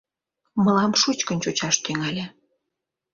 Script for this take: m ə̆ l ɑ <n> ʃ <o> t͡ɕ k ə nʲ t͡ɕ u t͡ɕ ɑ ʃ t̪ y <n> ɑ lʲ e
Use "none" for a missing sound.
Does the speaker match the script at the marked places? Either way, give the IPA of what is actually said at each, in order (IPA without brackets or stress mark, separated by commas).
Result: m, u, ŋ